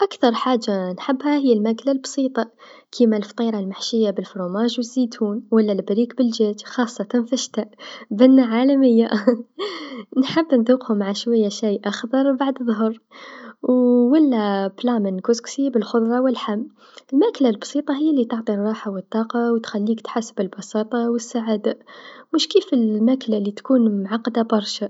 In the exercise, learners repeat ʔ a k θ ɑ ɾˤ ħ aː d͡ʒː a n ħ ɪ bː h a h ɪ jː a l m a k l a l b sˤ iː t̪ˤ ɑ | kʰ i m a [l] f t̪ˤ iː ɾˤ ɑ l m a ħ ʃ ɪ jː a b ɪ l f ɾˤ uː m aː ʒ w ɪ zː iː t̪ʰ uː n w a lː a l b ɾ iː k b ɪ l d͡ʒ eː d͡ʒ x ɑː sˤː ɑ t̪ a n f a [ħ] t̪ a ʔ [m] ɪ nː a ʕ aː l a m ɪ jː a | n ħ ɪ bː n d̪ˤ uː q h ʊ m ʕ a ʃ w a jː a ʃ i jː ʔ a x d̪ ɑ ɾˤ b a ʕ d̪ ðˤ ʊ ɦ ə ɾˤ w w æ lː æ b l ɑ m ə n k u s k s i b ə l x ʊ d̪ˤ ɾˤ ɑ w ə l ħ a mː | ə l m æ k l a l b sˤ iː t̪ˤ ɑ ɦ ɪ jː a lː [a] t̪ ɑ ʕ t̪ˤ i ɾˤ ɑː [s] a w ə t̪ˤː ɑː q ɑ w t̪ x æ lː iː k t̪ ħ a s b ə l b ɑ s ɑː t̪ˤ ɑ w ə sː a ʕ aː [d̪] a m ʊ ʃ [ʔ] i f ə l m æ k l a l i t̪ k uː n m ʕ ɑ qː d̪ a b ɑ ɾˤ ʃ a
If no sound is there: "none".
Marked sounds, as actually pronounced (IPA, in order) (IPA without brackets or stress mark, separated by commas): l, ʃ, b, i, ħ, d̪, k